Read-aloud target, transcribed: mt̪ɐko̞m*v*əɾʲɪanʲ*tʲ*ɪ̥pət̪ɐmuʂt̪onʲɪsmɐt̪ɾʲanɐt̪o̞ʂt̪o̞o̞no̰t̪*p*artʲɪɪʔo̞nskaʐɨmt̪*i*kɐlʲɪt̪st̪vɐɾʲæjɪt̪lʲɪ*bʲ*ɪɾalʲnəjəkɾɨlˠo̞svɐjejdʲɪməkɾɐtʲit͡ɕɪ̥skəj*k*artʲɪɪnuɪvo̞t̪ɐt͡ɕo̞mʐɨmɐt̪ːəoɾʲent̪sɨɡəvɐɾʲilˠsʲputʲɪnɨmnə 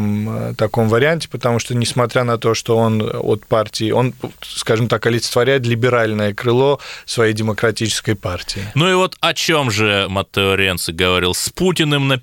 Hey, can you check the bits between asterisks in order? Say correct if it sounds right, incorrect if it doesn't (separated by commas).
correct, correct, correct, incorrect, correct, incorrect